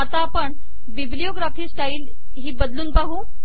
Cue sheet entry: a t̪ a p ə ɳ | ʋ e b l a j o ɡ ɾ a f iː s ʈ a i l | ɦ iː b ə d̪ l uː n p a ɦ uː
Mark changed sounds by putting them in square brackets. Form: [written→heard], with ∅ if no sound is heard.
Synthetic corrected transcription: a t̪ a p ə ɳ | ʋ [e→i] b l [a→i] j o ɡ ɾ a f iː s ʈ a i l | ɦ iː b ə d̪ l uː n p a ɦ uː